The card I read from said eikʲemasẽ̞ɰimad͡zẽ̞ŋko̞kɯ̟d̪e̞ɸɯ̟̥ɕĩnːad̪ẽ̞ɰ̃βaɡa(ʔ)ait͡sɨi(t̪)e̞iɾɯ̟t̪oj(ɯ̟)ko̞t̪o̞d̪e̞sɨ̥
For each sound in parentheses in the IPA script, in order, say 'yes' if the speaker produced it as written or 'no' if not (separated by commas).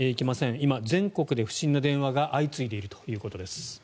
yes, no, no